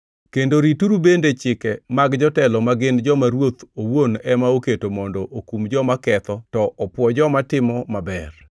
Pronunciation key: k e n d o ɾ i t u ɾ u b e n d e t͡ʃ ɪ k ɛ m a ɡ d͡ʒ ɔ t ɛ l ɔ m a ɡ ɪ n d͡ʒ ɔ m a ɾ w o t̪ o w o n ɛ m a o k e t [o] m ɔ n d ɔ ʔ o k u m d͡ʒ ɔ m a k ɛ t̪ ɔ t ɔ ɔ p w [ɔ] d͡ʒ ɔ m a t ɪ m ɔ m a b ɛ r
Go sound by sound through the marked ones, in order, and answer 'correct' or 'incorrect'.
correct, correct

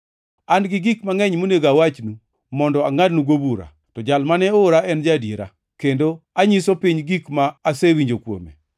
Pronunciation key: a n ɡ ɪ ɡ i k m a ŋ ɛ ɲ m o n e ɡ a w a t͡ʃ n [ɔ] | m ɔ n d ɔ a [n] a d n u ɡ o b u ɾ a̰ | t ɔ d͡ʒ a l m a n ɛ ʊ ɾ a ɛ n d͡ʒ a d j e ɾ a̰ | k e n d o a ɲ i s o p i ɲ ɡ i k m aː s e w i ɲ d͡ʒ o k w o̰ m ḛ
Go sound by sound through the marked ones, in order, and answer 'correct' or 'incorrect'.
incorrect, incorrect

